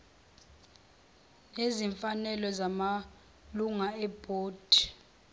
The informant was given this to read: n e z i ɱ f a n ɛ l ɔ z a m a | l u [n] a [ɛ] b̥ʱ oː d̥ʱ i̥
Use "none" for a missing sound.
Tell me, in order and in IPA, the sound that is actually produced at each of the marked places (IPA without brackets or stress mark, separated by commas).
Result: ŋ, ɛ